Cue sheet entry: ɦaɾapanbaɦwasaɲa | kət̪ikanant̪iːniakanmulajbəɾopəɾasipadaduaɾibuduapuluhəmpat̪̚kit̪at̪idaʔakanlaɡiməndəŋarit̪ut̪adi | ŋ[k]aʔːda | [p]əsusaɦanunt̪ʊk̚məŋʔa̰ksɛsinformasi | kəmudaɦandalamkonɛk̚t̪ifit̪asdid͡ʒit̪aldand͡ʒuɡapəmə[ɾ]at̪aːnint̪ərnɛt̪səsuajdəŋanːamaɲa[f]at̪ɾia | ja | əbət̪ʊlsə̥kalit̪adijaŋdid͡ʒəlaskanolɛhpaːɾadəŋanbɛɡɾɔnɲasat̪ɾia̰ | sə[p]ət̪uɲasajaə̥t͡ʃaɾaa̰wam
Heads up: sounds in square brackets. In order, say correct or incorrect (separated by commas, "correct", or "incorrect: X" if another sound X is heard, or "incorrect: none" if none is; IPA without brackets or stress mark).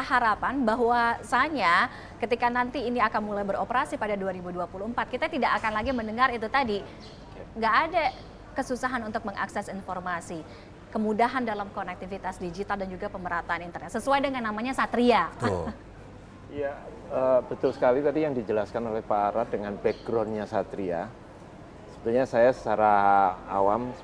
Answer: incorrect: ɡ, incorrect: k, correct, incorrect: s, incorrect: b